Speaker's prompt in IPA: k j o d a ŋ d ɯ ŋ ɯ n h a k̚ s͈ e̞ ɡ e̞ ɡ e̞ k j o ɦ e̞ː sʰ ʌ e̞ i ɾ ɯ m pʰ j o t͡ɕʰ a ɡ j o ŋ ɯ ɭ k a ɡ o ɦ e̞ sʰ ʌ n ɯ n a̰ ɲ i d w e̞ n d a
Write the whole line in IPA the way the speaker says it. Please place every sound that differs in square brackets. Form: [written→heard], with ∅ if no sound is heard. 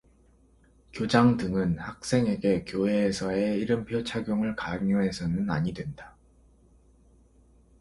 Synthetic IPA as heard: k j o [d→d͡ʑ] a ŋ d ɯ ŋ ɯ n h a k̚ s͈ e̞ [ɡ→ŋ] e̞ ɡ e̞ k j o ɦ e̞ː sʰ ʌ e̞ i ɾ ɯ m pʰ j o t͡ɕʰ a ɡ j o ŋ ɯ ɭ k a [ɡ→ŋ] o ɦ e̞ sʰ ʌ n ɯ n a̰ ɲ i d w e̞ n d a

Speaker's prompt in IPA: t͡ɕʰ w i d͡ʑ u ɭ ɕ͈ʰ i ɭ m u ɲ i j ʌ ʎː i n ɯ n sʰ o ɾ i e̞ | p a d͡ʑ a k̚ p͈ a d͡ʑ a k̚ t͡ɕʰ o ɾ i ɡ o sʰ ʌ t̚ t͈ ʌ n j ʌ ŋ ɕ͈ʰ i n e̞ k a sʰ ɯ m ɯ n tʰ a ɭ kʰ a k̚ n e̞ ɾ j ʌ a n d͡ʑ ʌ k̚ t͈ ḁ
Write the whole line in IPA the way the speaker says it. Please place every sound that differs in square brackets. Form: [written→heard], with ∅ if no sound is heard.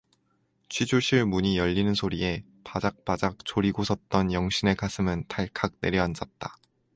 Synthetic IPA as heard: t͡ɕʰ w i d͡ʑ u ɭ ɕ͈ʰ i ɭ m u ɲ i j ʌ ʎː i n ɯ n sʰ o ɾ i e̞ | p a d͡ʑ a k̚ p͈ a d͡ʑ a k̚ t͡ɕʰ o ɾ i ɡ o sʰ ʌ t̚ t͈ ʌ n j ʌ ŋ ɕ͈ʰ i n e̞ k a sʰ ɯ m ɯ n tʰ a ɭ kʰ a k̚ n e̞ ɾ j ʌ a n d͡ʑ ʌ [k̚→t̚] t͈ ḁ

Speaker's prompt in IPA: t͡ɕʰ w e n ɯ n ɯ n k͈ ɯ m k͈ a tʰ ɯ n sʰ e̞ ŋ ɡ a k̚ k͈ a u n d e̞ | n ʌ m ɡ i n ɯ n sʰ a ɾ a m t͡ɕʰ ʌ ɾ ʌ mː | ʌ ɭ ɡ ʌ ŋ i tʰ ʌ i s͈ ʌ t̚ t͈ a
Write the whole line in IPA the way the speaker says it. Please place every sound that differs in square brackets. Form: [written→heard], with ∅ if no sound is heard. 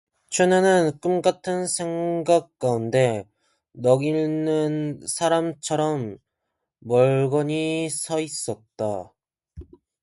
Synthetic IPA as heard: t͡ɕʰ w e n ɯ n ɯ n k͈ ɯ m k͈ a tʰ ɯ n sʰ e̞ ŋ ɡ a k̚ k͈ a u n d e̞ | n ʌ [m→∅] ɡ i n ɯ n sʰ a ɾ a m t͡ɕʰ ʌ ɾ ʌ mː | ʌ ɭ ɡ ʌ [ŋ→ɲ] i [tʰ→sʰ] ʌ i s͈ ʌ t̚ t͈ a

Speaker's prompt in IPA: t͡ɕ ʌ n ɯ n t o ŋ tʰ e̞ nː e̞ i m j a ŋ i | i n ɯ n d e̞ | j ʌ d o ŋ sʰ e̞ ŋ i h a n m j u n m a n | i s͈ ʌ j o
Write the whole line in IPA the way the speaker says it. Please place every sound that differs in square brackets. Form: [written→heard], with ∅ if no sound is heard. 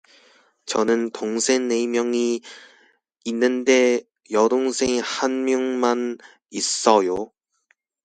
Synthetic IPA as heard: t͡ɕ ʌ n ɯ n t o ŋ [tʰ→sʰ] e̞ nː e̞ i m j [a→ʌ] ŋ i | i [n→nː] ɯ n d e̞ | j ʌ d o ŋ sʰ e̞ ŋ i h a n m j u [n→ŋ] m a n | i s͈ ʌ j o

